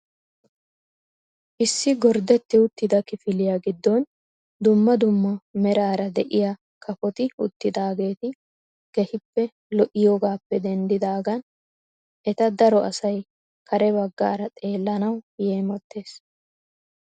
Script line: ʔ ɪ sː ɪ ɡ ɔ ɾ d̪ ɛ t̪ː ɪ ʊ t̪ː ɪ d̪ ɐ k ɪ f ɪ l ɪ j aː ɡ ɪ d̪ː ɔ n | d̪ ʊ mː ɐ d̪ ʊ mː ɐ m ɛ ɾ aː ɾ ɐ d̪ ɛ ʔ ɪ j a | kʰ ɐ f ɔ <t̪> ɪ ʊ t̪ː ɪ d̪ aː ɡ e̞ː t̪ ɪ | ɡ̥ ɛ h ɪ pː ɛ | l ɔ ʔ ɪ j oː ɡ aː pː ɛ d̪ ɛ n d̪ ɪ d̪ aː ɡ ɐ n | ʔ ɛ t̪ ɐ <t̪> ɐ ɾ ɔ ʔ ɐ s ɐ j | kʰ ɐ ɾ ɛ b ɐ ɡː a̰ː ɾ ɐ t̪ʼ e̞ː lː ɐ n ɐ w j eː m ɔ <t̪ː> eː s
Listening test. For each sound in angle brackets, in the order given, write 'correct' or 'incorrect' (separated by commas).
correct, incorrect, correct